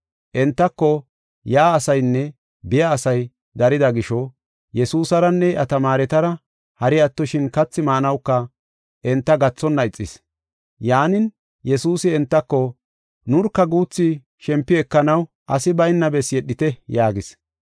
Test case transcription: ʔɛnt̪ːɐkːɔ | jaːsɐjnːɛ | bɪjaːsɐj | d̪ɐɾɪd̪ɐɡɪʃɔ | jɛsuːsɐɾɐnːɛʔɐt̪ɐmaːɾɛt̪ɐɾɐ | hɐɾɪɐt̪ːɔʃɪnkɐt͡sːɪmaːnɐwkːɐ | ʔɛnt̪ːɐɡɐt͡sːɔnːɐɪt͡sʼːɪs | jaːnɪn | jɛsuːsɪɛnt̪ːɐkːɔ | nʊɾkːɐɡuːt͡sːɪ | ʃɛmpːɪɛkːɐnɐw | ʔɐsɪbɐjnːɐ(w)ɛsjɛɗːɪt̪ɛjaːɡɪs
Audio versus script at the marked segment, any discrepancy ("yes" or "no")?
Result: yes